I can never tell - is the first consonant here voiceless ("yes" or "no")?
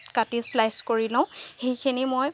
yes